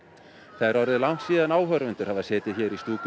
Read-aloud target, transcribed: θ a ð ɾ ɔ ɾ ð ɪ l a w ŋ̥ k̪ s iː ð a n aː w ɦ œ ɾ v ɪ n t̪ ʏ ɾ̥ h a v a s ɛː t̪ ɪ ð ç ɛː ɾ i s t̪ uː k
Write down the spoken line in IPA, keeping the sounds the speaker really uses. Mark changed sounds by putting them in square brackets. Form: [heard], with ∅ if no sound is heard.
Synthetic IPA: θ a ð ɾ ɔ ɾ ð ɪ l a w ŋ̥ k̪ s iː ð a n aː w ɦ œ ɾ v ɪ n t̪ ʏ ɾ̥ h a v a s ɛː t̪ ɪ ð ç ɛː ɾ i s t̪ uː k